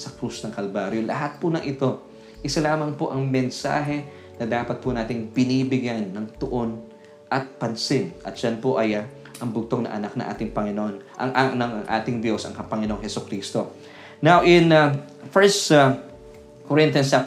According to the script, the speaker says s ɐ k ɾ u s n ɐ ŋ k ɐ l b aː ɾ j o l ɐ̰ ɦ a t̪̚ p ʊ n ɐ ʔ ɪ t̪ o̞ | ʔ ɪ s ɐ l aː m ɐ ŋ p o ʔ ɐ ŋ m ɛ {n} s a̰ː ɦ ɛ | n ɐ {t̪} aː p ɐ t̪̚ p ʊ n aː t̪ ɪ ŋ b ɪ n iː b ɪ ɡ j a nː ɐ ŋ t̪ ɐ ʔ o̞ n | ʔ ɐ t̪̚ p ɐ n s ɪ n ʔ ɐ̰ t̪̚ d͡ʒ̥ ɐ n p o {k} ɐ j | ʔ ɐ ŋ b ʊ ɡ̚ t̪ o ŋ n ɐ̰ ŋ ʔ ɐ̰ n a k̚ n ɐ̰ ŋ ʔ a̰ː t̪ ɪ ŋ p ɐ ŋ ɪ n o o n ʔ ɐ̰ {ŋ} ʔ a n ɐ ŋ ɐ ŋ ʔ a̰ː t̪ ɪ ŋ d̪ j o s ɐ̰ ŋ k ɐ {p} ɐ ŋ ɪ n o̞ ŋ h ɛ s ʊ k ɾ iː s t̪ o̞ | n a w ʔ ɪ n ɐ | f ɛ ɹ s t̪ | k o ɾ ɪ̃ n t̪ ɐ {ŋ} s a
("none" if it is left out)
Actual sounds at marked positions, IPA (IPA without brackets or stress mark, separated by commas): n, d̪, ʔ, ŋ, p, n